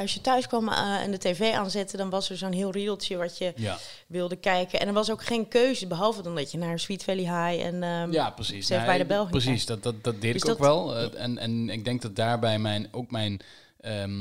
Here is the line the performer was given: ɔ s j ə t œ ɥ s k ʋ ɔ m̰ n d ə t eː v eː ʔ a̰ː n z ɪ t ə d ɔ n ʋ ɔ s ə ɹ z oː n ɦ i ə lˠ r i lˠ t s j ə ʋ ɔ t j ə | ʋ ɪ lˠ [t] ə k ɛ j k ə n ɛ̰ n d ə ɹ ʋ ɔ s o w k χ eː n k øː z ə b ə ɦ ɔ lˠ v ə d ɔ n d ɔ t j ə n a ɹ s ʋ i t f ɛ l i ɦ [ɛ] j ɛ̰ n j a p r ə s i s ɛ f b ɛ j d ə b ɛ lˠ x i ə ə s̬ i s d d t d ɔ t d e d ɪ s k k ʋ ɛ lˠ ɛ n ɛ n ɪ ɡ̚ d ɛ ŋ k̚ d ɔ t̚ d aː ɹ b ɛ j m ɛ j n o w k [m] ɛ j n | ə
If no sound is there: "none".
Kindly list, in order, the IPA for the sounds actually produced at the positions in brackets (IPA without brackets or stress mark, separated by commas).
d, a, m